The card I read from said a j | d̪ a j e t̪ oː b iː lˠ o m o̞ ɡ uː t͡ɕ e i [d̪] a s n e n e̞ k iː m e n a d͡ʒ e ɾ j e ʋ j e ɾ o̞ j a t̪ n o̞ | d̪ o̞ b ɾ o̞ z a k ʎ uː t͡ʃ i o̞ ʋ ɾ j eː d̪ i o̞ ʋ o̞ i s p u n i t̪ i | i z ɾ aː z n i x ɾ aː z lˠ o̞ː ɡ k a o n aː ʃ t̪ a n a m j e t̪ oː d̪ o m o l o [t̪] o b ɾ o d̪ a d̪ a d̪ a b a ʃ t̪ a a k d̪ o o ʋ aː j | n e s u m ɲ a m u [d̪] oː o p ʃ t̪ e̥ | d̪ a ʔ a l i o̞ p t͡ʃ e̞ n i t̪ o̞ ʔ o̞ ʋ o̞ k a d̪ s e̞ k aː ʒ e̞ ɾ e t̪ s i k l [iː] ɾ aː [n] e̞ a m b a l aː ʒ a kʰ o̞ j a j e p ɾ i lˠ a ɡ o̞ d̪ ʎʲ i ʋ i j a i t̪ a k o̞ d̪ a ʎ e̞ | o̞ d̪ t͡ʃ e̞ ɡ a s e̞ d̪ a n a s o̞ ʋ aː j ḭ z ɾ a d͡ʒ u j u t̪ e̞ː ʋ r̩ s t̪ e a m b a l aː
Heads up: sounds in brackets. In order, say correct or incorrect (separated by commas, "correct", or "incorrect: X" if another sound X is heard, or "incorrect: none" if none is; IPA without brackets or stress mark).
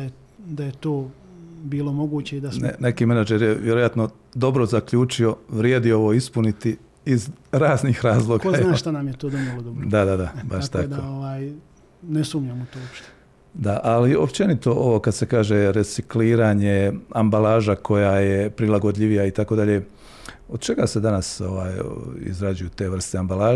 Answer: correct, incorrect: d̪, incorrect: t̪, correct, incorrect: ɲ